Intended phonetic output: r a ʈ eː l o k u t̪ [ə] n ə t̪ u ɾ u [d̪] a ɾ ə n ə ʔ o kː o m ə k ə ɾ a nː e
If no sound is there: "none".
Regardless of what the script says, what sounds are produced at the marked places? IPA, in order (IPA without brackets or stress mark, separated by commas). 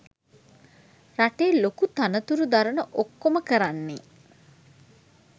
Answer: a, d̪